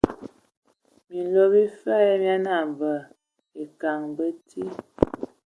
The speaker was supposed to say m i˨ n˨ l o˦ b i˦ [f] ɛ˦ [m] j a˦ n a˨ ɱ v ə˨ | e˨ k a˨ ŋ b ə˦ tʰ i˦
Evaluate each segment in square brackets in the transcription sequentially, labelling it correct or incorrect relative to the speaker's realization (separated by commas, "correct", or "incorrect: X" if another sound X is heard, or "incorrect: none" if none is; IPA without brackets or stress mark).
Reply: correct, correct